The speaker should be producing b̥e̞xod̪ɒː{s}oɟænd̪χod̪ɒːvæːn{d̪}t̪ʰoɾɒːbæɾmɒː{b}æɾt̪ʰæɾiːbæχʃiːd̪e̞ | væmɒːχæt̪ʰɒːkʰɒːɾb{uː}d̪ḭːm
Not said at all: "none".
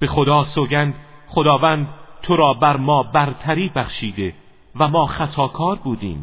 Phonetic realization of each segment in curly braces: s, d̪, b, uː

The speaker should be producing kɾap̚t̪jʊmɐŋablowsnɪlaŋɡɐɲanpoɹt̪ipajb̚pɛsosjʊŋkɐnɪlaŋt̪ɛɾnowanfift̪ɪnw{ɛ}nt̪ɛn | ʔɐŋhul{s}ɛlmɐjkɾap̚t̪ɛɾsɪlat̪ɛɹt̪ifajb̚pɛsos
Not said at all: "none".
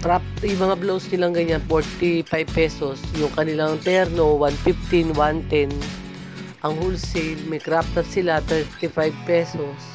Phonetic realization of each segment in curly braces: a, s

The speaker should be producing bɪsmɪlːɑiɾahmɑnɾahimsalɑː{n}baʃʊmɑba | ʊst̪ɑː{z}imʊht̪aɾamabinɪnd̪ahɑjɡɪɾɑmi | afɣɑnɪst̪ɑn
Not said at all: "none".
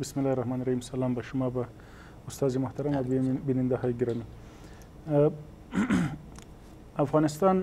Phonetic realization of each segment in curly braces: m, z

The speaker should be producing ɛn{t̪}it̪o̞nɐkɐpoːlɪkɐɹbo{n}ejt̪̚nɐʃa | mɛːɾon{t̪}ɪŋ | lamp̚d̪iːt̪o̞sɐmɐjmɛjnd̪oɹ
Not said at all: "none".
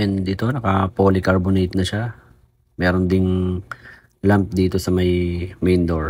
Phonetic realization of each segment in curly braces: d̪, n, d̪

